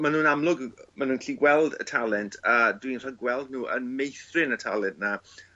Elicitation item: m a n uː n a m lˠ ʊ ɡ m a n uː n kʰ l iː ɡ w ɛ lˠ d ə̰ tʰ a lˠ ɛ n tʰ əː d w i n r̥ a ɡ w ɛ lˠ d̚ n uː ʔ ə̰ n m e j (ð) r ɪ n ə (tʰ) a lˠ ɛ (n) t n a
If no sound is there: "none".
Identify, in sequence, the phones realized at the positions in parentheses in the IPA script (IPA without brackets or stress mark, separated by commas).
θ, tʰ, n